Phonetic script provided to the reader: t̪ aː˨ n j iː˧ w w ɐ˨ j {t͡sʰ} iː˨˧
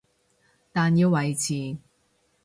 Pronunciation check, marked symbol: correct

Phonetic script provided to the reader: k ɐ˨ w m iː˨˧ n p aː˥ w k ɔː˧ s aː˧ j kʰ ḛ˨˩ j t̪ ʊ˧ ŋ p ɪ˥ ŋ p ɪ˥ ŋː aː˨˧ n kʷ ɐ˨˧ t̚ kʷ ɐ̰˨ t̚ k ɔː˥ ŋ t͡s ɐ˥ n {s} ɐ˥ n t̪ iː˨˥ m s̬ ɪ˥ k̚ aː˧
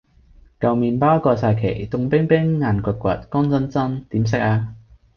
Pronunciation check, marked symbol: incorrect: t͡s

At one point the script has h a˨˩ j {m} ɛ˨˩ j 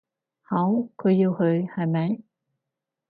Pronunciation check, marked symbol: correct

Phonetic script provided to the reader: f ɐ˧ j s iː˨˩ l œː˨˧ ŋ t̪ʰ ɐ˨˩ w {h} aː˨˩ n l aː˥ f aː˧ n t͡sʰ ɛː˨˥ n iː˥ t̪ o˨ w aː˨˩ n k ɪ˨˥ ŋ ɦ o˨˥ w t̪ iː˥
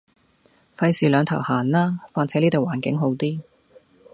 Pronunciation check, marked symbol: correct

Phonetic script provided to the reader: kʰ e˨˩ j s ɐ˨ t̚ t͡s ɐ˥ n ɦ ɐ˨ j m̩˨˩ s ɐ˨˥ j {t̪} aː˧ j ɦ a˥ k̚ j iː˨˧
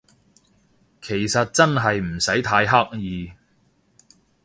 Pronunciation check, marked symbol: incorrect: t̪ʰ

